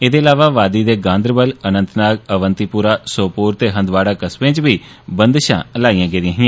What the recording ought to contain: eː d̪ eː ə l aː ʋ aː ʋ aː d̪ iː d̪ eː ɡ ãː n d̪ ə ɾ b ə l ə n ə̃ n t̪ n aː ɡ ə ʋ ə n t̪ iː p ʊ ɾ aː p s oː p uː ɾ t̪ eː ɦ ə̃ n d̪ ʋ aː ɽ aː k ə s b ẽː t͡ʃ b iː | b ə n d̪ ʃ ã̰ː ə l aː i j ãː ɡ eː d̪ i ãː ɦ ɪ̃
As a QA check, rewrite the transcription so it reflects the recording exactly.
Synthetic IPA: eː d̪ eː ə l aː ʋ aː ʋ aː d̪ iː d̪ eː ɡ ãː n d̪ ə ɾ b ə l ə n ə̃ n t̪ n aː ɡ ə ʋ ə n t̪ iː p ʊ ɾ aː s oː p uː ɾ t̪ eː ɦ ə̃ n d̪ ʋ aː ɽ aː k ə s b ẽː t͡ʃ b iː | b ə n d̪ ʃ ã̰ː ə l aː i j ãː ɡ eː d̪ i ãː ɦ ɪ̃